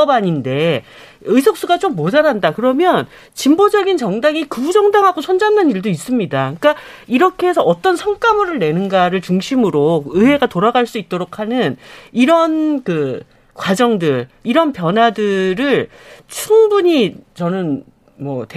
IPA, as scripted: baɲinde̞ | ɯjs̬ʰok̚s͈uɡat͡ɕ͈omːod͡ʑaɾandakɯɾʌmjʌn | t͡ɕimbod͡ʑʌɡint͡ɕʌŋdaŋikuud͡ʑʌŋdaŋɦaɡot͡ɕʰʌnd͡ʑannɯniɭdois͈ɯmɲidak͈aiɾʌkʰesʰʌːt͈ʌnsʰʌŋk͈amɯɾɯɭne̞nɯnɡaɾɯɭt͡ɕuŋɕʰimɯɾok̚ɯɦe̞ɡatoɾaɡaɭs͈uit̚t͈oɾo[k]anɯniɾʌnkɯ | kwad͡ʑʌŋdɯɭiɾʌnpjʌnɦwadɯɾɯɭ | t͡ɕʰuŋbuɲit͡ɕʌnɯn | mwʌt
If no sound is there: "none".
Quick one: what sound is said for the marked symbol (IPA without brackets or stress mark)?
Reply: kʰ